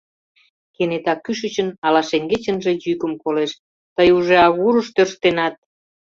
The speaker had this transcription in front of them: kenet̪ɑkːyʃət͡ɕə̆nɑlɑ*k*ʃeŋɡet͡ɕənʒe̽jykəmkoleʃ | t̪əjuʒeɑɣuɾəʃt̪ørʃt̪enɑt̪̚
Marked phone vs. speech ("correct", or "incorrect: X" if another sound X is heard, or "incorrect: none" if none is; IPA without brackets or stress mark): incorrect: none